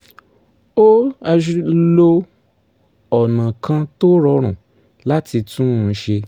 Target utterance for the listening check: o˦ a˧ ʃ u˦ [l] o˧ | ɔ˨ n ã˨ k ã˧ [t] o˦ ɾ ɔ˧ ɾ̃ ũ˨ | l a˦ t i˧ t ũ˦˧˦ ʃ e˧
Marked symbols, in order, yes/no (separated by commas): yes, yes